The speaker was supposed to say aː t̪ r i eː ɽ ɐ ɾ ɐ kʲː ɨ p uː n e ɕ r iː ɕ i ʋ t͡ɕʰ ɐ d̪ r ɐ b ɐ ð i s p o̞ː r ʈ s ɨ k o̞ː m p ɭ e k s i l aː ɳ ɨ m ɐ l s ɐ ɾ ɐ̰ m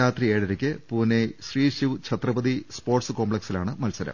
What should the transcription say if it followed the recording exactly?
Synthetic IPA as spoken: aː t̪ r i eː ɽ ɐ ɾ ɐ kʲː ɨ p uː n e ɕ r iː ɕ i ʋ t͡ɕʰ ɐ t̪ r ɐ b ɐ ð i s p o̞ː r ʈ s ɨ k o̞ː m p ɭ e k s i l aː ɳ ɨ m ɐ l s ɐ ɾ ɐ̰ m